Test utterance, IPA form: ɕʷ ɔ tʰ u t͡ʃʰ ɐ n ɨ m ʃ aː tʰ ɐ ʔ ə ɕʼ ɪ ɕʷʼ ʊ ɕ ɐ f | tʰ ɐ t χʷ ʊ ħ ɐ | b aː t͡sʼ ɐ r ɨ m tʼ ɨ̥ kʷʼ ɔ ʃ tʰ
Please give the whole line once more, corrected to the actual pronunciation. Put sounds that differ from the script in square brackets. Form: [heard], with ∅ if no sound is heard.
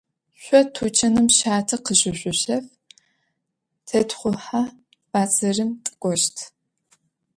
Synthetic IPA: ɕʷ ɔ tʰ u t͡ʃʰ ɐ n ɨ m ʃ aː tʰ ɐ [q] ə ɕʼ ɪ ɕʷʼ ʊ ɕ ɐ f | tʰ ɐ t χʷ ʊ ħ [a] | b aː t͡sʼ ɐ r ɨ m tʼ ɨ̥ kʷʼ ɔ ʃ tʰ